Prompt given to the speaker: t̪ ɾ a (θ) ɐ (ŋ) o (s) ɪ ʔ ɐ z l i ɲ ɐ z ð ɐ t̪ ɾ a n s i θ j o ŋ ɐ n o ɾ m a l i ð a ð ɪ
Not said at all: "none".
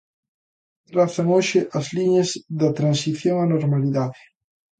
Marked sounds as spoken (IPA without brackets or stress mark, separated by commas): θ, ŋ, ʃ